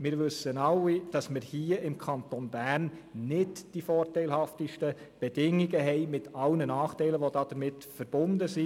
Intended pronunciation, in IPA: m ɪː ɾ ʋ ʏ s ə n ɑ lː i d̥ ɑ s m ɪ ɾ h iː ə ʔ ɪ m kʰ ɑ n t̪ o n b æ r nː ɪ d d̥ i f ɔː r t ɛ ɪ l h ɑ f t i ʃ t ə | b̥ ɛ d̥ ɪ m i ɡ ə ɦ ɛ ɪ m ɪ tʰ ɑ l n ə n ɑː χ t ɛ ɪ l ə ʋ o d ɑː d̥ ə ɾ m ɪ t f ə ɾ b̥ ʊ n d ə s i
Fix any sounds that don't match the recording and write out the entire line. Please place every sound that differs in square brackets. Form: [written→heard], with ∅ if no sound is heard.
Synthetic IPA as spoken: m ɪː ɾ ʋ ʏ s ə n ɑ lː i d̥ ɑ s m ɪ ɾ h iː ə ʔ ɪ m kʰ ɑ n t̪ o n b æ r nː ɪ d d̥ i f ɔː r t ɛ ɪ l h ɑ f t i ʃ t ə | b̥ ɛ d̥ ɪ [m→ŋ] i ɡ ə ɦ ɛ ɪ m ɪ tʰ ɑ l n ə n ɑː χ t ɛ ɪ l ə ʋ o d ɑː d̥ ə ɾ m ɪ t f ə ɾ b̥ ʊ n d ə s i